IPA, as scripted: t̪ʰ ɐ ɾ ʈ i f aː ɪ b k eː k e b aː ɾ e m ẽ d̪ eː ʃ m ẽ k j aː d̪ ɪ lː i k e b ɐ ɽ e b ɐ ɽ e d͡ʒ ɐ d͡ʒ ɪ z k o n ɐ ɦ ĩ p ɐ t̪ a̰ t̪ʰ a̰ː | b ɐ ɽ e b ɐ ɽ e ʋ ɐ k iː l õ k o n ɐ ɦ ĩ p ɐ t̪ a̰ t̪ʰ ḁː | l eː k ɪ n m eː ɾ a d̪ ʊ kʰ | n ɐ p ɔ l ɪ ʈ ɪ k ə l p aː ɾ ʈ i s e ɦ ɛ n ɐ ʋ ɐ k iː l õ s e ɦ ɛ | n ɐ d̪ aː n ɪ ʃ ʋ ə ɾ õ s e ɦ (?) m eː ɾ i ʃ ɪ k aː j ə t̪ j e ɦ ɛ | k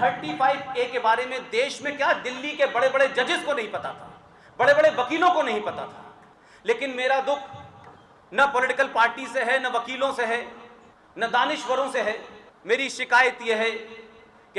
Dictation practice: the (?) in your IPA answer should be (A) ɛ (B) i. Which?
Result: A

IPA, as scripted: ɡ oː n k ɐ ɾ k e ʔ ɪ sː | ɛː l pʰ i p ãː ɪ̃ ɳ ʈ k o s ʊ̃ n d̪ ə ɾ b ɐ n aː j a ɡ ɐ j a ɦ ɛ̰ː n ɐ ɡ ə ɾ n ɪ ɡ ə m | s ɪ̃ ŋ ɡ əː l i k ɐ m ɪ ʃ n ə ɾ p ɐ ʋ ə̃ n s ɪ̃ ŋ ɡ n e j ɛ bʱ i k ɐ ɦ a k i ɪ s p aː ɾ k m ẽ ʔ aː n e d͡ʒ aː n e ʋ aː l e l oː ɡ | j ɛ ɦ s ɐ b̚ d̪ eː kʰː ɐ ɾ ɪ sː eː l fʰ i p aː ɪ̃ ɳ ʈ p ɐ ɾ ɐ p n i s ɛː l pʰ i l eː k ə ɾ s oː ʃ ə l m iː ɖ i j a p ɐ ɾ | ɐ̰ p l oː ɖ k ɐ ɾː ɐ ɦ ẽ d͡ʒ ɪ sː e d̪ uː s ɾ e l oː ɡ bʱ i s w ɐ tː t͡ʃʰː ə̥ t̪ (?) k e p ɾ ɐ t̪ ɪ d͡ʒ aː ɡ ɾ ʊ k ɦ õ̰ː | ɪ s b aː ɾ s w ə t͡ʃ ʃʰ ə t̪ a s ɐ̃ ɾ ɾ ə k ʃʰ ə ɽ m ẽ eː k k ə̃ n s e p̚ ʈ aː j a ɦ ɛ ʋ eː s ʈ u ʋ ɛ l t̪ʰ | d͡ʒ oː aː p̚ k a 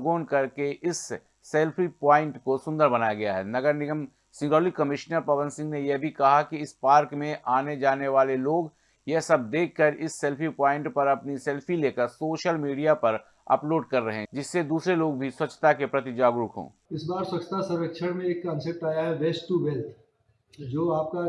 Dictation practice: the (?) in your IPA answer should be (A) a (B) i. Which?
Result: A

